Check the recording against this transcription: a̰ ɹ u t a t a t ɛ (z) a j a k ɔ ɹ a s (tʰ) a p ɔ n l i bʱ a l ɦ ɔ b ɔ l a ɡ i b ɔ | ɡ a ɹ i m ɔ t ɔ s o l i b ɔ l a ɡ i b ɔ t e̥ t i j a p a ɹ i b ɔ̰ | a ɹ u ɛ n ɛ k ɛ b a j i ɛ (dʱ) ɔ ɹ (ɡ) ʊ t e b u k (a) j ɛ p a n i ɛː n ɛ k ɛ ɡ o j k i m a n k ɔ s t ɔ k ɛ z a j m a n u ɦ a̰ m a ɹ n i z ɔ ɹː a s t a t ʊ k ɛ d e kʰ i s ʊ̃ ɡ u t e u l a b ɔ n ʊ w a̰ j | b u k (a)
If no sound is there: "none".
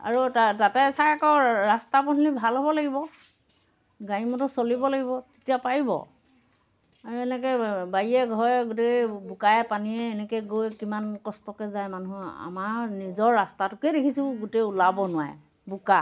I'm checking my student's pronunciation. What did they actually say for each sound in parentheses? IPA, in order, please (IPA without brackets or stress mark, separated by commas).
s, t, ɡʱ, ɡ, a, a